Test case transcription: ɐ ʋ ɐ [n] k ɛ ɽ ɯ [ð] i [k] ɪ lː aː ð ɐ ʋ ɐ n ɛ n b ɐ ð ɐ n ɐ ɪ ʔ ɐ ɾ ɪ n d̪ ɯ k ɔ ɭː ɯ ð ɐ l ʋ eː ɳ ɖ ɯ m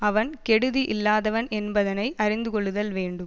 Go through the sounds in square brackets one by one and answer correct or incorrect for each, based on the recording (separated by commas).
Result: correct, correct, incorrect